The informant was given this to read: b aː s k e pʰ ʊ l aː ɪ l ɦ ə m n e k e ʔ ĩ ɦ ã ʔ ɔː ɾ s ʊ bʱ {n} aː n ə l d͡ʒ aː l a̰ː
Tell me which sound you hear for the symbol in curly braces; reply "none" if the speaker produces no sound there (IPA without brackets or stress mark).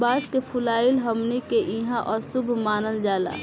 m